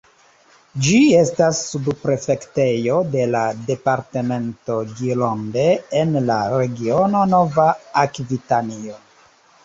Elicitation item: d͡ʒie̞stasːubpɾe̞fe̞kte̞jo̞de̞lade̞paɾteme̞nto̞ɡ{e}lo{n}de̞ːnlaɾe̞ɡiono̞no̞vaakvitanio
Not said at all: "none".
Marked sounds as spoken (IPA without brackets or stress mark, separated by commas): i, n